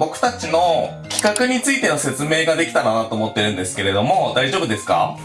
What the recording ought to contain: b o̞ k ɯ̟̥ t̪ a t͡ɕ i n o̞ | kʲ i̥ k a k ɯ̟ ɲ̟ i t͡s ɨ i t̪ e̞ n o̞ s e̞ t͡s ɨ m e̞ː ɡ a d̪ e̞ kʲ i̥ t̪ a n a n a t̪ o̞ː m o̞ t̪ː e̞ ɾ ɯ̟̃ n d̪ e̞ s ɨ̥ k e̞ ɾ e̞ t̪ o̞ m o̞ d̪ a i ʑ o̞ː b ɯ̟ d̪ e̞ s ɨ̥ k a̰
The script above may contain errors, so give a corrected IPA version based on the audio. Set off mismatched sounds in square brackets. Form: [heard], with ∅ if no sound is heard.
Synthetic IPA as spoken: b o̞ k ɯ̟̥ t̪ a t͡ɕ i n o̞ | kʲ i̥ k a k ɯ̟ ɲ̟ i t͡s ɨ i t̪ e̞ n o̞ s e̞ t͡s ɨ m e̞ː ɡ a d̪ e̞ kʲ i̥ t̪ a n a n a t̪ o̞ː m o̞ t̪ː e̞ ɾ ɯ̟̃ n d̪ e̞ s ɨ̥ k e̞ ɾ e̞ [d̪] o̞ m o̞ d̪ a i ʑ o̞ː b ɯ̟ d̪ e̞ s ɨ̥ k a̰